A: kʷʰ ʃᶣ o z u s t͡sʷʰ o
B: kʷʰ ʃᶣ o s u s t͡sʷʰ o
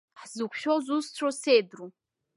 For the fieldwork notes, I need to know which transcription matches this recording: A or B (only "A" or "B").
A